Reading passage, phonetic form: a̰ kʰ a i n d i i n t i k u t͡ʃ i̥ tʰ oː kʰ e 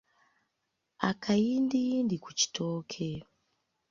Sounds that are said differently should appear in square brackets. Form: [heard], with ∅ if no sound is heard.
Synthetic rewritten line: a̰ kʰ a i n d i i n [d] i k u t͡ʃ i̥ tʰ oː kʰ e